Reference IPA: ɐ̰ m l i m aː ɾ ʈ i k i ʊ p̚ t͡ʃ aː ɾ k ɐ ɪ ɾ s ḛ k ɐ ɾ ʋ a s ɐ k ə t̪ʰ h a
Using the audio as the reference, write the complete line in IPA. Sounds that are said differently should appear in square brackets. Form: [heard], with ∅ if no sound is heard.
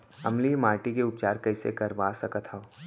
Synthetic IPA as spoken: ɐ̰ m l i m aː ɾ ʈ i k [e] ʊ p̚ t͡ʃ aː ɾ k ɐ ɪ [∅] s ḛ k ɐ ɾ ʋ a s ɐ k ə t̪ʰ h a